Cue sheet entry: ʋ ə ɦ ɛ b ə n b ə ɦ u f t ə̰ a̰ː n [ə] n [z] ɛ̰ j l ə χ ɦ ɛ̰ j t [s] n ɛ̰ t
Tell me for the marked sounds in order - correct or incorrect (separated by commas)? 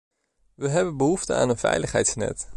correct, incorrect, correct